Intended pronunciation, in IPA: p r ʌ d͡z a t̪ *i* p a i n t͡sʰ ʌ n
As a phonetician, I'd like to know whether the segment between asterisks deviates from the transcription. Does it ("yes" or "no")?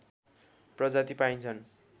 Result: no